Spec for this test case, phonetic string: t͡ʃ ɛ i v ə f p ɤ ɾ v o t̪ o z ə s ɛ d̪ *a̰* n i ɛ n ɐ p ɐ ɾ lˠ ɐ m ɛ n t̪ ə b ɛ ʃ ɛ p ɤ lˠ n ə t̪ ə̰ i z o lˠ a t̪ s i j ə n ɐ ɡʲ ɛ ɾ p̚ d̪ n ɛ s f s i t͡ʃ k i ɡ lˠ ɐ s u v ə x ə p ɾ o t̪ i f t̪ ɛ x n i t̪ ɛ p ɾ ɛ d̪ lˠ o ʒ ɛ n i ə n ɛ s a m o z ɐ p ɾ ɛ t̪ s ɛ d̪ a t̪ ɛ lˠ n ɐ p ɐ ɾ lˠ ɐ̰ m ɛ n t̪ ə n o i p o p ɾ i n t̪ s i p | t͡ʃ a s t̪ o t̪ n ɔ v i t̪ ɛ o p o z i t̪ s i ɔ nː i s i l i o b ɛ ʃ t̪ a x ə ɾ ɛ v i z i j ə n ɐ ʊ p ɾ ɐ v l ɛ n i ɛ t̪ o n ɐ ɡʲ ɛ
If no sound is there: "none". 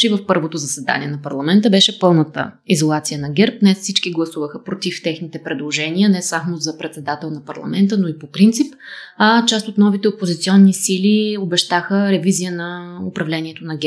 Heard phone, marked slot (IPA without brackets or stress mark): a̰